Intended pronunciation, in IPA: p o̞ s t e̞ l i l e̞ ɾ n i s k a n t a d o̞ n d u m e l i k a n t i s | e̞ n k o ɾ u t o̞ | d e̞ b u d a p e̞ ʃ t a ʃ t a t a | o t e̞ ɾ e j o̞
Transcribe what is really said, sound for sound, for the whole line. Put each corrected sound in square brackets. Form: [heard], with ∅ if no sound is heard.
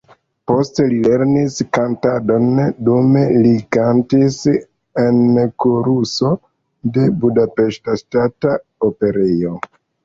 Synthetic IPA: p o̞ s t e̞ l i l e̞ ɾ n i s k a n t a d o̞ n d u m e l i k a n t i s | e̞ n k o ɾ u [s] o̞ | d e̞ b u d a p e̞ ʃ t a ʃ t a t a | o [p] e̞ ɾ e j o̞